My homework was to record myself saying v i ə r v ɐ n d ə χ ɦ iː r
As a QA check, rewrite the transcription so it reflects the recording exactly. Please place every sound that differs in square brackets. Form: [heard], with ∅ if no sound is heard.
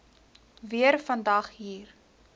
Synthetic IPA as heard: v i ə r [f] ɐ n d [ɐ] χ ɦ iː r